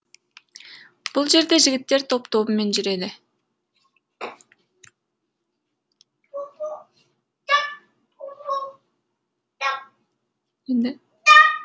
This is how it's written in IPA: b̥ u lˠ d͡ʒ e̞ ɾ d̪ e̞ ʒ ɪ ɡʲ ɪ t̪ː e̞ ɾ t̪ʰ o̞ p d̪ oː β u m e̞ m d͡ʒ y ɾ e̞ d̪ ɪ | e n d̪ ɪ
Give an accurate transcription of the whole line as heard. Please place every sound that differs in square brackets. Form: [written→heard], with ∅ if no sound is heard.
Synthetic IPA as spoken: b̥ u lˠ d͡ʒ e̞ ɾ d̪ e̞ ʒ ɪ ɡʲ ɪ t̪ː e̞ ɾ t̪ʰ o̞ p [d̪→t̪] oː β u m e̞ [m→n] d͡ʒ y ɾ e̞ d̪ ɪ | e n d̪ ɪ

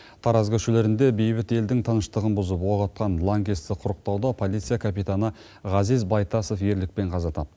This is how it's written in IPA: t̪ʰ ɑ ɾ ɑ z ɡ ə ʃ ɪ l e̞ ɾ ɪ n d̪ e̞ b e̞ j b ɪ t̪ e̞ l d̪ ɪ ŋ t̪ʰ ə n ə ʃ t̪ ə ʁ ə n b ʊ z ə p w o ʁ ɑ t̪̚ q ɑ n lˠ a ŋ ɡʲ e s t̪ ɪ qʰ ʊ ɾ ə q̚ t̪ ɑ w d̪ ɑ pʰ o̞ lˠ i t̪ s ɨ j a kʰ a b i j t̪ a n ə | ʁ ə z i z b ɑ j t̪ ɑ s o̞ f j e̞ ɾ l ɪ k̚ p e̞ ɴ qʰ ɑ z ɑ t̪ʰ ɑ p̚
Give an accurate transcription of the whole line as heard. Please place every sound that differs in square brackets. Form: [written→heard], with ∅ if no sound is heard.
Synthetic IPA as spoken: t̪ʰ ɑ ɾ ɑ z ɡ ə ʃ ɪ l e̞ ɾ ɪ n d̪ e̞ b e̞ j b ɪ t̪ e̞ l d̪ ɪ ŋ t̪ʰ ə n ə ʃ t̪ ə ʁ ə n b ʊ z ə p w o ʁ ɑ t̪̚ q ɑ n lˠ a ŋ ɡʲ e s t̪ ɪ qʰ ʊ ɾ ə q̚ t̪ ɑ w d̪ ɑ pʰ o̞ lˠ i t̪ s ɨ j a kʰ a [b→p] i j t̪ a n ə | ʁ [ə→ɑ] z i z b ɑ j t̪ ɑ s o̞ f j e̞ ɾ l ɪ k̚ p e̞ ɴ qʰ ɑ z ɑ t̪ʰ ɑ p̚

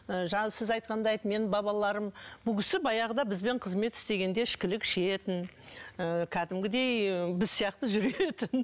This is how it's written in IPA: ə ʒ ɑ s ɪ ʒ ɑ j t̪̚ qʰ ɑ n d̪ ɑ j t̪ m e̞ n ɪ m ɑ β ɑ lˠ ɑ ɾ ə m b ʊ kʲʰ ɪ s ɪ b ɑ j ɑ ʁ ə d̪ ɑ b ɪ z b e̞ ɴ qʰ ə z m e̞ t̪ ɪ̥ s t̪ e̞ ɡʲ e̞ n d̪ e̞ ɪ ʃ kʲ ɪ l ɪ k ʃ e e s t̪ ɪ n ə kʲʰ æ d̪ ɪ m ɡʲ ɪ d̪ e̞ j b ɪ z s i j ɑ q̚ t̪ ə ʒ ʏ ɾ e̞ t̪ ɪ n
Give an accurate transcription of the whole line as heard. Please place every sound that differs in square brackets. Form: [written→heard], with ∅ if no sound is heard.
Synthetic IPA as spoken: ə ʒ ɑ s ɪ [ʒ→z] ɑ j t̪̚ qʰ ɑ n d̪ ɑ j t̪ m e̞ n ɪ [m→b] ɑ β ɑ lˠ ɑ ɾ ə m b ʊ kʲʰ ɪ s ɪ b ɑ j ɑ ʁ ə d̪ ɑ b ɪ z b e̞ ɴ qʰ ə z m e̞ t̪ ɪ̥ s t̪ e̞ ɡʲ e̞ n d̪ e̞ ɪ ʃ kʲ ɪ l ɪ k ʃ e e [s→∅] t̪ ɪ n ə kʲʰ æ d̪ ɪ m ɡʲ ɪ d̪ e̞ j b ɪ z s i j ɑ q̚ t̪ ə ʒ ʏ ɾ e̞ t̪ ɪ n

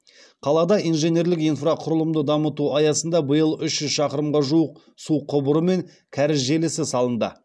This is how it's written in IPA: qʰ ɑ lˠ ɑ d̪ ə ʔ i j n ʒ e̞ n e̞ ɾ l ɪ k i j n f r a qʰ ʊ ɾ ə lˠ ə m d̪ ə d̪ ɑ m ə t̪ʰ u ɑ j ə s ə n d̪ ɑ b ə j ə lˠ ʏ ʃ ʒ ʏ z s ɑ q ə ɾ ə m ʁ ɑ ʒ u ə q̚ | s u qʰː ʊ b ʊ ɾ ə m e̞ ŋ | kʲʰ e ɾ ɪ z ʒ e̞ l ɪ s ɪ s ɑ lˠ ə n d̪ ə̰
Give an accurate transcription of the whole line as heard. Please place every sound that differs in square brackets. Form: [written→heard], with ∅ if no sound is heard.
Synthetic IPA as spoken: qʰ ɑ lˠ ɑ d̪ [ə→ɑ] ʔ i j n ʒ e̞ n e̞ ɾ l ɪ k i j n f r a qʰ ʊ ɾ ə lˠ ə m d̪ ə d̪ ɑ m ə [t̪ʰ→t̪] u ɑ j [ə→ɑ] s ə n d̪ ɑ b ə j ə lˠ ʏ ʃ ʒ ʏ z [s→ʃ] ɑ q ə ɾ ə m ʁ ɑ ʒ u ə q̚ | s u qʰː ʊ b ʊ ɾ ə m e̞ ŋ | kʲʰ [e→æ] ɾ ɪ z ʒ e̞ l ɪ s ɪ s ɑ lˠ ə n d̪ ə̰

